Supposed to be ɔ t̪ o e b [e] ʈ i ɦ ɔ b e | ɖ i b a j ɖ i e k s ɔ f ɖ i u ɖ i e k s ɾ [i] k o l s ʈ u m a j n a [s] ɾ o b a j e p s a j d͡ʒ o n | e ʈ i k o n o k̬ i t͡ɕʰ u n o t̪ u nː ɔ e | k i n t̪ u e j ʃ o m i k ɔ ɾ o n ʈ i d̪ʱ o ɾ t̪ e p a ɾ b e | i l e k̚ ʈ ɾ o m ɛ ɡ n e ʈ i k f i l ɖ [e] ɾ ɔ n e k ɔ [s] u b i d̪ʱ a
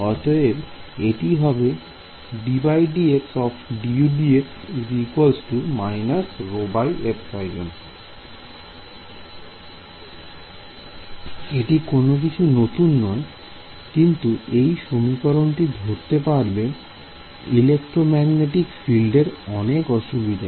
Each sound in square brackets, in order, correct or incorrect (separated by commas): correct, correct, correct, correct, incorrect